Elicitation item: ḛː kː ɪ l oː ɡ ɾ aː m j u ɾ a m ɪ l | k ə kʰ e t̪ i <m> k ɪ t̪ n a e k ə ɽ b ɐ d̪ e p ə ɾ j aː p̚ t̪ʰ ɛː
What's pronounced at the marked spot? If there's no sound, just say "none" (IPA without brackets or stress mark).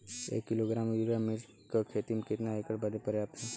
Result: m